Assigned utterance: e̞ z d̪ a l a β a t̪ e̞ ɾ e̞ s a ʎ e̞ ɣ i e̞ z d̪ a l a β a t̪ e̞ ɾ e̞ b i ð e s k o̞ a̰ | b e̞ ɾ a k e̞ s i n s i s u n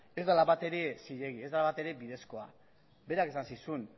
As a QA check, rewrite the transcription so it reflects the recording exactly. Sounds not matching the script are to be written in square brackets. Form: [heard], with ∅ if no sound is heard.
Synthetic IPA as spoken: e̞ z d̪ a l a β a t̪ e̞ ɾ e̞ s [i] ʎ e̞ ɣ i e̞ z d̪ a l a β a t̪ e̞ ɾ e̞ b i ð e s k o̞ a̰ | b e̞ ɾ a k e̞ s [a] n s i s u n